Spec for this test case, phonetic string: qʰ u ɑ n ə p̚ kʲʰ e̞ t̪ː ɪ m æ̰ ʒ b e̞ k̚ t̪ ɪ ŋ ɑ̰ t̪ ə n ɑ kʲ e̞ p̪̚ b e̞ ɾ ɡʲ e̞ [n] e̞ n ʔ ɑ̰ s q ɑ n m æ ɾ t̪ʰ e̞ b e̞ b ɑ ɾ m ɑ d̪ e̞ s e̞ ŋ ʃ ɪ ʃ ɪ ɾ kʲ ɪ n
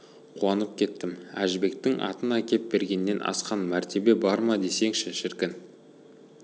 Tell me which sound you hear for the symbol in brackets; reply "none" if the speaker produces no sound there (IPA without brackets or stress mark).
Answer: nː